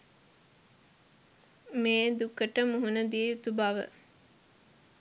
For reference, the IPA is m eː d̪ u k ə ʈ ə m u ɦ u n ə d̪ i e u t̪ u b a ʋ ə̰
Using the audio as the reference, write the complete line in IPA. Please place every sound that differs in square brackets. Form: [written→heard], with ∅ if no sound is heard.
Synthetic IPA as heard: m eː d̪ u k ə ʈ ə m u ɦ u n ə d̪ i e u t̪ u b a ʋ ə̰